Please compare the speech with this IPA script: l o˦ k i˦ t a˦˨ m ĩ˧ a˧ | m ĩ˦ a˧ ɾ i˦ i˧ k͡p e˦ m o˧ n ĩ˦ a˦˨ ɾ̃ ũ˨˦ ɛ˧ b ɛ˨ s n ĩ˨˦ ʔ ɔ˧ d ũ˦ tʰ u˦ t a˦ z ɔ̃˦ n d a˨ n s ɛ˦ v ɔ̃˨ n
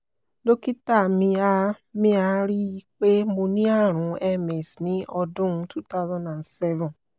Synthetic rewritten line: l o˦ k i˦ t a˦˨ m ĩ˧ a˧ | m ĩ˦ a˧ ɾ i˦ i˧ k͡p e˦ m o˧ n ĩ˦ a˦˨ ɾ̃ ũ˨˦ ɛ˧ m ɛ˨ s n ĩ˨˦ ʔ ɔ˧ d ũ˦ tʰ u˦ t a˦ z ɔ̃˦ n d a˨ n s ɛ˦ v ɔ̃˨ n